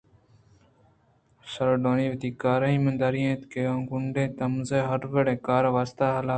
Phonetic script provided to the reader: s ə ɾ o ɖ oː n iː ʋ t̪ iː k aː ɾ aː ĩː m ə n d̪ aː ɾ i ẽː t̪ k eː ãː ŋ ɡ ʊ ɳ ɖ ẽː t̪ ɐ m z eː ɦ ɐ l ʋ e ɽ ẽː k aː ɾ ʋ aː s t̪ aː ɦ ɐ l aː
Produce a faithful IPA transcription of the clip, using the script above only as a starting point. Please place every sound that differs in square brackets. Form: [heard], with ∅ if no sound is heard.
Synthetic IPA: s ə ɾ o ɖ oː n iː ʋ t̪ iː k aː ɾ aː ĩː m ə n d̪ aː ɾ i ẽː t̪ k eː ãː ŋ ɡ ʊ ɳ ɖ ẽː t̪ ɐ m z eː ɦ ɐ [ɾ] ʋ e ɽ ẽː k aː ɾ ʋ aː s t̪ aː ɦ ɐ l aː

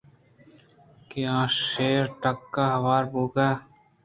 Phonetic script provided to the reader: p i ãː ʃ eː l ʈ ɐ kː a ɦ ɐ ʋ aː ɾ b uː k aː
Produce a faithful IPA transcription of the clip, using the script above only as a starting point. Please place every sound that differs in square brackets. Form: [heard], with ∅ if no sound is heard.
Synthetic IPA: [k] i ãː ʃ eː [ɾ] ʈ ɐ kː a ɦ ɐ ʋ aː ɾ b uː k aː

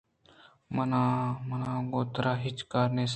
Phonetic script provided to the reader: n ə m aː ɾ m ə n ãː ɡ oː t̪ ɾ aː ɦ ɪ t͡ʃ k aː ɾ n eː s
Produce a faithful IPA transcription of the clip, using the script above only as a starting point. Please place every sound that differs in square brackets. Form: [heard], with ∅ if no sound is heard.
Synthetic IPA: [m] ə [n] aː [∅] m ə n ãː ɡ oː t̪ ɾ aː ɦ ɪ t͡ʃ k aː ɾ n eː s

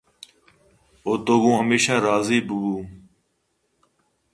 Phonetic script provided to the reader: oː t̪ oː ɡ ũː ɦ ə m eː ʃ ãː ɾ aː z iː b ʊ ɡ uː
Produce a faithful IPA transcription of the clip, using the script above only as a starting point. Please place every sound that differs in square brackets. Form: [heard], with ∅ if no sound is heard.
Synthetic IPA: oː t̪ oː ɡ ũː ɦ ə m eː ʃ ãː ɾ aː z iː b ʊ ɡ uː

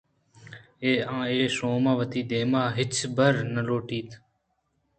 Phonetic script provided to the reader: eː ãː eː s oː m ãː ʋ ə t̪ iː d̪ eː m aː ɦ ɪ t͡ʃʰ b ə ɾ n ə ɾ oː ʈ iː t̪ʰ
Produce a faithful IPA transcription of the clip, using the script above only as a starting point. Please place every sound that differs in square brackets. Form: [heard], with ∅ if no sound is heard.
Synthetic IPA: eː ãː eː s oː m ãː ʋ ə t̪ iː d̪ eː m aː ɦ ɪ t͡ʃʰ b ə ɾ n ə [l] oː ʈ iː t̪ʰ

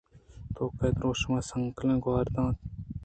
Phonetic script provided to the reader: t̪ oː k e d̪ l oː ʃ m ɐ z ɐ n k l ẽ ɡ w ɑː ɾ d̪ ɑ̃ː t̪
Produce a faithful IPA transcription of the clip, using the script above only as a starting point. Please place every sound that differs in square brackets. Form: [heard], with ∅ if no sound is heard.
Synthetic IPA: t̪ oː k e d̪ [ɾ] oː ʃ m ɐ [s] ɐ [ŋ] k l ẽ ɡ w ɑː ɾ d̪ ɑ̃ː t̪

